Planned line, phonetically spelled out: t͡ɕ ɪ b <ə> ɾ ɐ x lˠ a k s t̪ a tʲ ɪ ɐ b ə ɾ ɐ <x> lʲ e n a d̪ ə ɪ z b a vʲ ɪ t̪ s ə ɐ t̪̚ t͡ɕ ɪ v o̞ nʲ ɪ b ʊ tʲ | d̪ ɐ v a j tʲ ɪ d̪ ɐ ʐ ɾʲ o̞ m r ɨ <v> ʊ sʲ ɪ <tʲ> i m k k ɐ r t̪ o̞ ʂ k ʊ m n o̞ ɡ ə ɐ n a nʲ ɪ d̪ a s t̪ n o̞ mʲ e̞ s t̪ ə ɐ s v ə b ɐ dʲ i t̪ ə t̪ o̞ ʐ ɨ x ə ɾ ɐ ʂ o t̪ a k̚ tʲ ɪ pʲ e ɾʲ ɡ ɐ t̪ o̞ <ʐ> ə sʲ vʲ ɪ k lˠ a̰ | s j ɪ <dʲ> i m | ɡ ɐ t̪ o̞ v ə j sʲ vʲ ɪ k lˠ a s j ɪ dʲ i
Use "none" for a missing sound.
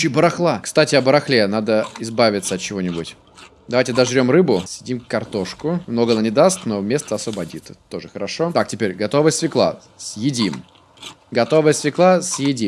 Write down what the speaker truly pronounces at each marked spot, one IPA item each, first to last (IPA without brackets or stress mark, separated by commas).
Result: ə, x, b, dʲ, v, dʲ